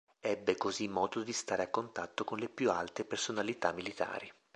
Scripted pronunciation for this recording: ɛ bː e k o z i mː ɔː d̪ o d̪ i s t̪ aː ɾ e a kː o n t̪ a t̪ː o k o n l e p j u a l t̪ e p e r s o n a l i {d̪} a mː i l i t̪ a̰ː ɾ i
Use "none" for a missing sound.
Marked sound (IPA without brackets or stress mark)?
t̪